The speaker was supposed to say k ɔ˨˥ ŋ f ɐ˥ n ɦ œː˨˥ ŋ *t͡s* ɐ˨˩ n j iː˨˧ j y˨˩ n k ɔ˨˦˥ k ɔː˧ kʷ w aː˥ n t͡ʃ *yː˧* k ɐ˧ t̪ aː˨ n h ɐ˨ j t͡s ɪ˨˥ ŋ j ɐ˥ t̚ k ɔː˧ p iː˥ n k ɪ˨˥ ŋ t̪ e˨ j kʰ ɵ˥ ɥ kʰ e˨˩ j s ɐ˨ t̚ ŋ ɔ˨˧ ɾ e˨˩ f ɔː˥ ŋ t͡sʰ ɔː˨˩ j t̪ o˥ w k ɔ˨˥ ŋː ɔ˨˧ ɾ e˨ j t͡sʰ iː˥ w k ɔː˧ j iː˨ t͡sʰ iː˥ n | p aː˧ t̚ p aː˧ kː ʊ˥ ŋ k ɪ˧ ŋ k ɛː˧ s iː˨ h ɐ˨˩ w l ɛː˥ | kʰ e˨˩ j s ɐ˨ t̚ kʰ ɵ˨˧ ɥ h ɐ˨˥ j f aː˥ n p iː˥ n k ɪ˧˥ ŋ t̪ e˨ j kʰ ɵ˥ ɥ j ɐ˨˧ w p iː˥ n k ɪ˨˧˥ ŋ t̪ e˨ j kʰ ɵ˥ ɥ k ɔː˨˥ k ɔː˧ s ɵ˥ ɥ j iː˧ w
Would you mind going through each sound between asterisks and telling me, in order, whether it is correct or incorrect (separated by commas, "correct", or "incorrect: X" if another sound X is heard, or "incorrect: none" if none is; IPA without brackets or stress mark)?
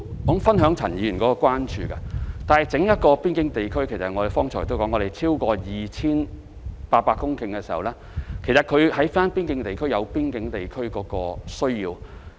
incorrect: t͡sʰ, correct